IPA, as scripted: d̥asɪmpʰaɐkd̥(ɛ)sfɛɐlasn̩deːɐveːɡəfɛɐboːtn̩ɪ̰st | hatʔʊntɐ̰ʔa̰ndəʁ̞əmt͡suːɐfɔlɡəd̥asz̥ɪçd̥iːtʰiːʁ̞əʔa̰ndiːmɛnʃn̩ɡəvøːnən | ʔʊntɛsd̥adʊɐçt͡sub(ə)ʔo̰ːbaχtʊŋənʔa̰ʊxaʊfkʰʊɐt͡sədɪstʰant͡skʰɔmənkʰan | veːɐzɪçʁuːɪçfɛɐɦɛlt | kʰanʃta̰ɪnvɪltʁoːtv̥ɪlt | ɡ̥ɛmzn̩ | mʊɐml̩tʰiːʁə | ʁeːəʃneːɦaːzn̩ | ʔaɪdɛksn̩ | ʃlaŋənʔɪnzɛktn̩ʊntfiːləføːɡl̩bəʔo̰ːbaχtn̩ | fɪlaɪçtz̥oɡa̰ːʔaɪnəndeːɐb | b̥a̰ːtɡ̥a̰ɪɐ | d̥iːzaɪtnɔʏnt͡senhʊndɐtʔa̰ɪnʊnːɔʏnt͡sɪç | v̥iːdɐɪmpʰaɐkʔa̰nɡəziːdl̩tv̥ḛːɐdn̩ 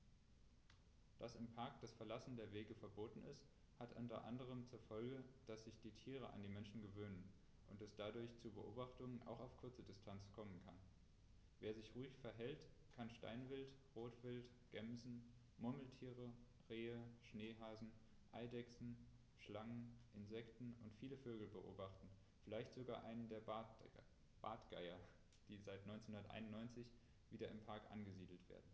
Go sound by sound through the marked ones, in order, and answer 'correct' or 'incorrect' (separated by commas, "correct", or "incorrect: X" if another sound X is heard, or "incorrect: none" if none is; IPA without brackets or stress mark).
incorrect: a, correct